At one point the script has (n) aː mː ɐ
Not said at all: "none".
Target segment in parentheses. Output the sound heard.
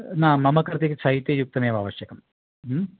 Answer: n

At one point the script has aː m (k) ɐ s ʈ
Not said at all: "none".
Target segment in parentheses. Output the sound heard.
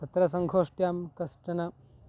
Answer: k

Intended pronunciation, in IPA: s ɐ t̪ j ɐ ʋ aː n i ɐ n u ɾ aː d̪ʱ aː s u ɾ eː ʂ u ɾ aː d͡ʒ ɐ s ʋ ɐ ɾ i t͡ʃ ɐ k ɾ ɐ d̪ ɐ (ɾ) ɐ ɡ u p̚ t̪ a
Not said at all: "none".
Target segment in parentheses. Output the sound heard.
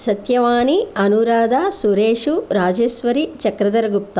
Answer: ɾ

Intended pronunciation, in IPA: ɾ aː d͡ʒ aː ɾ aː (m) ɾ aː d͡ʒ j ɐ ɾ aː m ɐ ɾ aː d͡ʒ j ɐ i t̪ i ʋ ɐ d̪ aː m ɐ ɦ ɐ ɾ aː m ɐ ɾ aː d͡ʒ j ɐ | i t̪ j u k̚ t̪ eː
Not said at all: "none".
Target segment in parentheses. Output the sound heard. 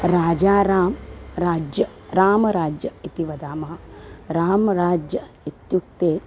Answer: m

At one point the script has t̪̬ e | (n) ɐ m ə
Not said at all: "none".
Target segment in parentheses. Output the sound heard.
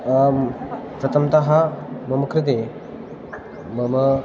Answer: m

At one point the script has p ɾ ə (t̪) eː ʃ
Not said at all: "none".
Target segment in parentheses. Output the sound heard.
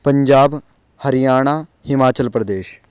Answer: d̪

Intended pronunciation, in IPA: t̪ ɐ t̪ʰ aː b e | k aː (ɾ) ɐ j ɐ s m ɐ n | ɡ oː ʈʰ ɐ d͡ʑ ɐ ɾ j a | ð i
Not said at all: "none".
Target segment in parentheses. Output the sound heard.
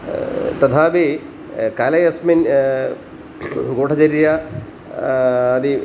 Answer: l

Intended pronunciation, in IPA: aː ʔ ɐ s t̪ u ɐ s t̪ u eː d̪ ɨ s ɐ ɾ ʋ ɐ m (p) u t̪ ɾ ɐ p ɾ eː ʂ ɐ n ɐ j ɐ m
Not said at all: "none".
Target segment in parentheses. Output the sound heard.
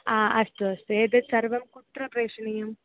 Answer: k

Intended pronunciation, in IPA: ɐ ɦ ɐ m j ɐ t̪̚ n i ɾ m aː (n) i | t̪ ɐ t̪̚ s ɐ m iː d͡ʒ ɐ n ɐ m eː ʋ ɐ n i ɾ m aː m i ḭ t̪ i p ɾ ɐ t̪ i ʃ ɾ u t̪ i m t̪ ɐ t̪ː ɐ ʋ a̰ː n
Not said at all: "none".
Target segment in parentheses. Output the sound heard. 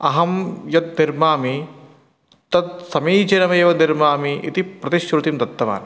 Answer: m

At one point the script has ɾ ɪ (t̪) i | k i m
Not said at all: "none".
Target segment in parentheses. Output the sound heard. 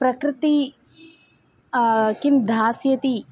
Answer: t̪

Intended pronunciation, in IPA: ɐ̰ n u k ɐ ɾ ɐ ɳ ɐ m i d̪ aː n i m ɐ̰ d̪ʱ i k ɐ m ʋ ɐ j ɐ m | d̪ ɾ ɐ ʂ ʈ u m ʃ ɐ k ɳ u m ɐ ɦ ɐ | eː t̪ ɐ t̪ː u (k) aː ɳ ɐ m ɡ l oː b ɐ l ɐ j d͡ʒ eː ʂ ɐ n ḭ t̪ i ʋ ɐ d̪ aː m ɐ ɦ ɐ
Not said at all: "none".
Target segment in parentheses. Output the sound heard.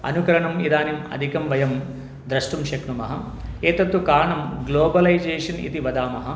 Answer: k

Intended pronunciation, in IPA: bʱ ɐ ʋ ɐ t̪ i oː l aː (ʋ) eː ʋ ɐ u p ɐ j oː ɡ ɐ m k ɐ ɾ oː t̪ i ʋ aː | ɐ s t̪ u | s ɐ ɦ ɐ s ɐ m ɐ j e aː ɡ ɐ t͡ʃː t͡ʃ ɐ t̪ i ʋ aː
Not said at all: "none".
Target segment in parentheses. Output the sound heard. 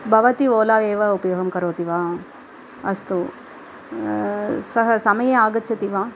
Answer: ʋ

